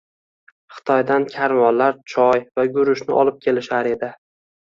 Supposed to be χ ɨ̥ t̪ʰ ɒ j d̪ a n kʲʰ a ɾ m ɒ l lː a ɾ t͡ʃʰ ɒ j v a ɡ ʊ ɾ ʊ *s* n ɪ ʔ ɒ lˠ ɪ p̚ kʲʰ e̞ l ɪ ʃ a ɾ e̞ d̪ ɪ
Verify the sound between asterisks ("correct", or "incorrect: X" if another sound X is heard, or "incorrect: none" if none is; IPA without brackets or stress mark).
incorrect: ʃ